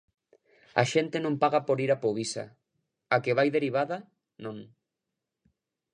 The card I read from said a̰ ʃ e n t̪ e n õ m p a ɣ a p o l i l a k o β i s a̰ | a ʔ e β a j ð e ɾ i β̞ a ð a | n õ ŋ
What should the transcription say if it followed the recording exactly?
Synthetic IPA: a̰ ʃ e n t̪ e n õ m p a ɣ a p o ɾ i ɾ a p o β i s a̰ | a k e β a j ð e ɾ i β̞ a ð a | n õ ŋ